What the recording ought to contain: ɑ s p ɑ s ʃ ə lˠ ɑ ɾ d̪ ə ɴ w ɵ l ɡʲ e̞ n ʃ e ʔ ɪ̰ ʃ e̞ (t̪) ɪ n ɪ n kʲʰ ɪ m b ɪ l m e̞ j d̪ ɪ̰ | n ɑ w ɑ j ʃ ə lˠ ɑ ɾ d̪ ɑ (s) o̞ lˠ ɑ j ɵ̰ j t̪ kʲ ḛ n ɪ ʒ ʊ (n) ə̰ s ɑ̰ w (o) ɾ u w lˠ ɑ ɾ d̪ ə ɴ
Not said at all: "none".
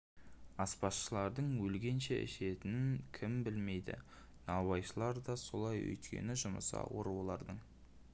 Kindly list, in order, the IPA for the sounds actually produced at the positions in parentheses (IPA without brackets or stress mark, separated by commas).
t̪, s, m, o